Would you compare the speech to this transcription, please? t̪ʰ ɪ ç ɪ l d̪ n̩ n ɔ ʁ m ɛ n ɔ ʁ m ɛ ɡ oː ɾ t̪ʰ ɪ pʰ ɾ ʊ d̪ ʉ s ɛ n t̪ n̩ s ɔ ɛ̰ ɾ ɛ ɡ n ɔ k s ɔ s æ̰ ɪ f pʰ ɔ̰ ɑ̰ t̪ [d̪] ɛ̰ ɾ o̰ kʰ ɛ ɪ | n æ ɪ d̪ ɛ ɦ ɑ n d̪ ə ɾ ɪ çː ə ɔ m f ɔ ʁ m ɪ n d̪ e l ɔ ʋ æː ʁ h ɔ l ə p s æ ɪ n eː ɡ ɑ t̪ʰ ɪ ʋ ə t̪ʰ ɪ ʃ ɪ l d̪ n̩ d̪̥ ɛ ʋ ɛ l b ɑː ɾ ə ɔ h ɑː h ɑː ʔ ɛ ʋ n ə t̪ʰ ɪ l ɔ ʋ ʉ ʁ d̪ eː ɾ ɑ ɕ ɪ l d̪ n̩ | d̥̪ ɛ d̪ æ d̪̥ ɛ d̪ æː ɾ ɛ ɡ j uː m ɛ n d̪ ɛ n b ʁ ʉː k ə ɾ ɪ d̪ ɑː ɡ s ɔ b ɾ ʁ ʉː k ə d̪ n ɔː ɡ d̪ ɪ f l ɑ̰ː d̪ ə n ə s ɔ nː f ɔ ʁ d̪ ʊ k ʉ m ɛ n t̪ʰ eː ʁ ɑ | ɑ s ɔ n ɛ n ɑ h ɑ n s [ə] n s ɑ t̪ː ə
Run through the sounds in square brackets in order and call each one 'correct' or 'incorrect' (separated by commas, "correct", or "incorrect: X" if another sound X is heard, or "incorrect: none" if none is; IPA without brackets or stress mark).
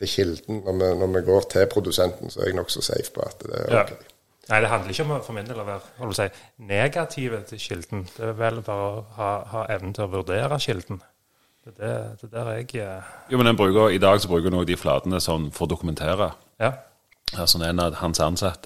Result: correct, incorrect: ɑ